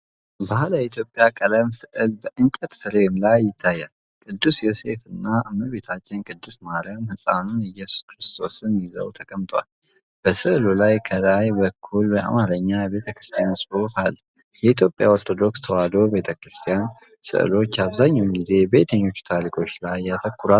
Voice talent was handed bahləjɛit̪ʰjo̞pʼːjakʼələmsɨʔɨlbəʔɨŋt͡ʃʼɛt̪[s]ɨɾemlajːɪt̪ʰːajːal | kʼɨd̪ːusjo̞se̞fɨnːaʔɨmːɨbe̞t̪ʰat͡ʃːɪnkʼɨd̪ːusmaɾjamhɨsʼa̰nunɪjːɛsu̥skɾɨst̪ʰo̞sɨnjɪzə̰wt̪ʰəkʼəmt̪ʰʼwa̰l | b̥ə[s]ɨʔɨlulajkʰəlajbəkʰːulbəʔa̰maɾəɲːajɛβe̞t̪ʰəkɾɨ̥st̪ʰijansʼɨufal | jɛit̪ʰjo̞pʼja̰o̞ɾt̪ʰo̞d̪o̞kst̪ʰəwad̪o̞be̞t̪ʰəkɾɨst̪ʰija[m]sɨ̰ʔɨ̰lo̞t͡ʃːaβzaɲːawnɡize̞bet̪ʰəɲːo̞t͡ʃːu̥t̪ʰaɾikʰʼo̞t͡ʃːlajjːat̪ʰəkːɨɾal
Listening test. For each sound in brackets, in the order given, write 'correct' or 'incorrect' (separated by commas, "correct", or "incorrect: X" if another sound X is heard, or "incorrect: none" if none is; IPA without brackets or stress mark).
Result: incorrect: f, correct, incorrect: n